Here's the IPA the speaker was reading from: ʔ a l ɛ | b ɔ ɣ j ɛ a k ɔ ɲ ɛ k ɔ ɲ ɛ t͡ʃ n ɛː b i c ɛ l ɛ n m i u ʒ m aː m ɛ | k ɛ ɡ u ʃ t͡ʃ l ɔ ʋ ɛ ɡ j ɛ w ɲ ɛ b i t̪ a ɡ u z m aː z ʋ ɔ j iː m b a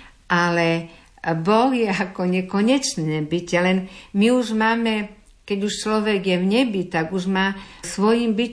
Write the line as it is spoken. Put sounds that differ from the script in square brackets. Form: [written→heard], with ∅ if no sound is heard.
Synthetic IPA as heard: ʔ a l ɛ | b ɔ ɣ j ɛ a k ɔ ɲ ɛ k ɔ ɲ ɛ t͡ʃ n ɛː b i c ɛ l ɛ n m i u ʒ m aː m ɛ | k ɛ [ɡ→ɟ] u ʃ t͡ʃ l ɔ ʋ ɛ ɡ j ɛ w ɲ ɛ b i t̪ a ɡ u [z→ʒ] m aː [z→s] ʋ ɔ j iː m b [a→i]